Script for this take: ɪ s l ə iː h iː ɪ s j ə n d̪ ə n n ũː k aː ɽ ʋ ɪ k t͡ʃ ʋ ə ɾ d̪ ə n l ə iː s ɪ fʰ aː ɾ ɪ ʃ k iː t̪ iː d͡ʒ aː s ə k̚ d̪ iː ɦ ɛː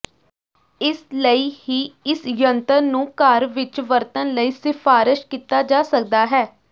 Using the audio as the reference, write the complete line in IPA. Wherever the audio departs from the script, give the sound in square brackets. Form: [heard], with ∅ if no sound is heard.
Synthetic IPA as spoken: ɪ s l ə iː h iː ɪ s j ə n [t̪] ə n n ũː k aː [ɾ] ʋ ɪ [∅] t͡ʃ ʋ ə ɾ [t̪] ə n l ə iː s ɪ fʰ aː ɾ ɪ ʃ k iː t̪ [aː] d͡ʒ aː s ə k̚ d̪ [aː] ɦ ɛː